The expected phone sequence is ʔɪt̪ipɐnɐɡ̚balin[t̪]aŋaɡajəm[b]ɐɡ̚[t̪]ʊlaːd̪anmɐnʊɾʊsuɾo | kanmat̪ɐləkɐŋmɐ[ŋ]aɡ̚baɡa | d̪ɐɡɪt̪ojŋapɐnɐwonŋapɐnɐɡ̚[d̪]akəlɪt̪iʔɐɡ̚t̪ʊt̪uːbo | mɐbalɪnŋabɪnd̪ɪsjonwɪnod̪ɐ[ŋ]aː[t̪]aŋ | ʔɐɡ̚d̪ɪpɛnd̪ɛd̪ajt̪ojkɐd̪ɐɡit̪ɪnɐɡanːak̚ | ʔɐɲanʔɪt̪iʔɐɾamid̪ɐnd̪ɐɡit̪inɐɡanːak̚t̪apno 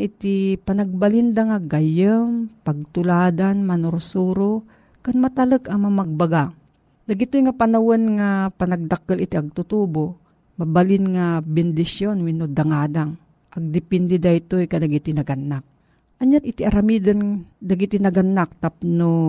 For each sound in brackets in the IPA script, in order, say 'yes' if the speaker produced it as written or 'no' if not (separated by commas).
no, no, yes, no, yes, yes, no